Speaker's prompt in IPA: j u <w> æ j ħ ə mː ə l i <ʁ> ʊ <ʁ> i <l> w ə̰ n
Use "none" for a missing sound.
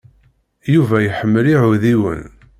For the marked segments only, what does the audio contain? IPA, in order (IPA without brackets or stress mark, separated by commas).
v, ʕ, ð, none